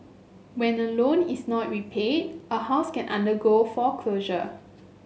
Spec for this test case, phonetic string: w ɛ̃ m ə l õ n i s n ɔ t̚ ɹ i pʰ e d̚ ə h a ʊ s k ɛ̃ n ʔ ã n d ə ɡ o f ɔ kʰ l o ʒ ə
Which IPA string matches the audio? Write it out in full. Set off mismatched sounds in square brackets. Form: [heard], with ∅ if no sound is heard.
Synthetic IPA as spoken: w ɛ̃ [n] ə l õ n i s n ɔ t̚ ɹ i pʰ e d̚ ə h a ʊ s k ɛ̃ n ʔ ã n d ə ɡ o f ɔ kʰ l o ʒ ə